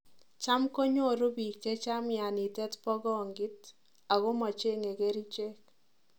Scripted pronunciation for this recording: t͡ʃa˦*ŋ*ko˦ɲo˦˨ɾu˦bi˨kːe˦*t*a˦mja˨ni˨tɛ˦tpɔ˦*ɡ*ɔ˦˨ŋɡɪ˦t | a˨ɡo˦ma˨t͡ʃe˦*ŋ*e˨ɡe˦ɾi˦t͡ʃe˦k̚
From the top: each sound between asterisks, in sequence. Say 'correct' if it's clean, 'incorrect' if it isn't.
incorrect: m, incorrect: t͡ʃ, correct, correct

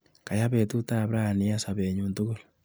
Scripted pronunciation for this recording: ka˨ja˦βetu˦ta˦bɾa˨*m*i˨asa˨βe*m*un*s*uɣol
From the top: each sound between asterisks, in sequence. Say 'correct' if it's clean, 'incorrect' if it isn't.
incorrect: n, incorrect: ɲ, incorrect: t

